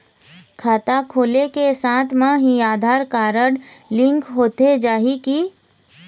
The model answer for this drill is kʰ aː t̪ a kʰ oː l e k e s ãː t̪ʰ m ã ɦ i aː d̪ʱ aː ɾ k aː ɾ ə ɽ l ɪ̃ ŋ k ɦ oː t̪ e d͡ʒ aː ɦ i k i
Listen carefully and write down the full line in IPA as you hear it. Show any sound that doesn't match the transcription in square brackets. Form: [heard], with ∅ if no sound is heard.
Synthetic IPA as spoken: kʰ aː t̪ a kʰ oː l e k e s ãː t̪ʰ m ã ɦ i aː d̪ʱ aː ɾ k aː ɾ ə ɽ l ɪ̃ ŋ k ɦ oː t̪ e d͡ʒ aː ɦ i k i